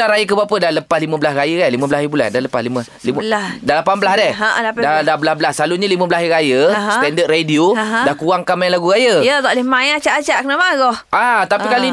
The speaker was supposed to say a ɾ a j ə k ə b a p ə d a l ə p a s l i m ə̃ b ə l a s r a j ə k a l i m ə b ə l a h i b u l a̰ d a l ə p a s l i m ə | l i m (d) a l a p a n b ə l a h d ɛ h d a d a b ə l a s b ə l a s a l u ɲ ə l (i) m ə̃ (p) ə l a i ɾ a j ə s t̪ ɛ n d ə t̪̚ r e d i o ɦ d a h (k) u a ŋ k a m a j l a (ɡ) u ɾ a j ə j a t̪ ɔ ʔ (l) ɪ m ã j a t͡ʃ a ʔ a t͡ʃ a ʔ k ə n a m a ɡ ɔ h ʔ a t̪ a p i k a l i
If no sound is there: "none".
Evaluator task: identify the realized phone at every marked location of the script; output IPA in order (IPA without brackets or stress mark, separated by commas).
d, i, b, k, ɡ, l